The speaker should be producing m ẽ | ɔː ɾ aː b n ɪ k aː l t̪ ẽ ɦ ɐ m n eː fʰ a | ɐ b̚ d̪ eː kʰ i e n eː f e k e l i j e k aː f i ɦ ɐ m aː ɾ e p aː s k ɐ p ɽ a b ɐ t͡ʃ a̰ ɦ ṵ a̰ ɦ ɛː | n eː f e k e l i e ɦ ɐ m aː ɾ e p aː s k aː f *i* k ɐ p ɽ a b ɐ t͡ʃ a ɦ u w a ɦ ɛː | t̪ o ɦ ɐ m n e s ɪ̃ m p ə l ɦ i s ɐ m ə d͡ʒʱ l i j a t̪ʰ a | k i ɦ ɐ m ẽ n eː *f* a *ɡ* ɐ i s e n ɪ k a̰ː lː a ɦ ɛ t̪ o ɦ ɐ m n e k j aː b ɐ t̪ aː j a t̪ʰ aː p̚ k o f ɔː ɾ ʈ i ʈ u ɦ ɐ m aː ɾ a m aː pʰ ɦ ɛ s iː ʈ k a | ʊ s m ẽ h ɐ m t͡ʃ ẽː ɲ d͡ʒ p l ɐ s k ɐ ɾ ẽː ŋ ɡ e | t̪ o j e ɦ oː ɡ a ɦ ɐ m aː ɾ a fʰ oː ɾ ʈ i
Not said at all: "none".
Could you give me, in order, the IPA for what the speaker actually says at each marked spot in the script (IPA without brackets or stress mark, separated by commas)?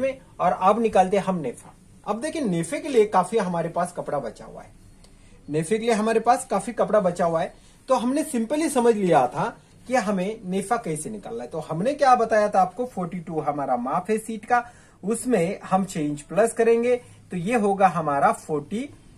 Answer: i, f, k